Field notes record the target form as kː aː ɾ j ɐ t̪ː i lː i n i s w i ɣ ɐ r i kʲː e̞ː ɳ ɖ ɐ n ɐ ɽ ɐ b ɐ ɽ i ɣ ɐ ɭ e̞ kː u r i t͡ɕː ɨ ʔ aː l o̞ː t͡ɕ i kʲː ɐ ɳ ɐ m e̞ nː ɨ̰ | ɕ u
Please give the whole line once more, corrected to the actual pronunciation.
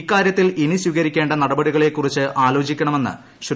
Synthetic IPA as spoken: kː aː ɾ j ɐ t̪ː i l i n i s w i ɣ ɐ ɾ i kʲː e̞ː ɳ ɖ ɐ n ɐ ɽ ɐ b ɐ ɽ i ɣ ɐ ɭ e̞ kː u r i t͡ɕː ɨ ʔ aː l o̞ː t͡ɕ i kʲː ɐ ɳ ɐ m e̞ nː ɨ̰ | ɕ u